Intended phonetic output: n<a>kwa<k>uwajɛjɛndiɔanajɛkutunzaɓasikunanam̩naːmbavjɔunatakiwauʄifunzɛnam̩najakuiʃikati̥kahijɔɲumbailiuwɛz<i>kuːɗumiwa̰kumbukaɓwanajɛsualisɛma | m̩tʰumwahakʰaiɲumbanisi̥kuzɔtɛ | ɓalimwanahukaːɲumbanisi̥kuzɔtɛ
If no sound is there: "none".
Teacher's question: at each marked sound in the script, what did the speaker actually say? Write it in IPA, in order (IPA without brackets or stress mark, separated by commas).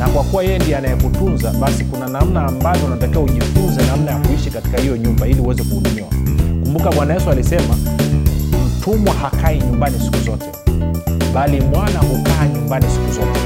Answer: a, k, ɛ